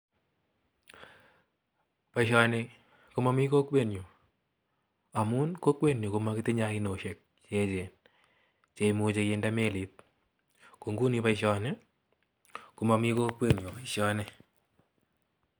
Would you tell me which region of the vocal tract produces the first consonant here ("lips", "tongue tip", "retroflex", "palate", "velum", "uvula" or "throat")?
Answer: lips